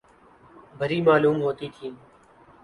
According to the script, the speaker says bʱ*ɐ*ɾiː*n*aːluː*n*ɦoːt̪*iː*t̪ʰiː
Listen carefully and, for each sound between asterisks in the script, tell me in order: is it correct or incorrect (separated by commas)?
incorrect, incorrect, incorrect, correct